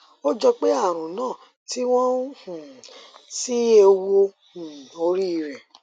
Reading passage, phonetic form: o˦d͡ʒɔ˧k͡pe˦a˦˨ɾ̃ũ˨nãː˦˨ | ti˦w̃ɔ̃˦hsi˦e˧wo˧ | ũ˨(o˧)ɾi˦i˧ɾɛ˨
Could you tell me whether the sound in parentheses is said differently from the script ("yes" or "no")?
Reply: no